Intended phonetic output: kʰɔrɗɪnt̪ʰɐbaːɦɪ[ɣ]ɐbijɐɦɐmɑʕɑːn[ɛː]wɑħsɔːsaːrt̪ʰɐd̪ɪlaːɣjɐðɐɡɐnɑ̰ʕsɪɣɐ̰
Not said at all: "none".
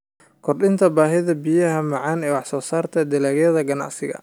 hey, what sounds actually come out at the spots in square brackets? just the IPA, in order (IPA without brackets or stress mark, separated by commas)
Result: ð, ɛː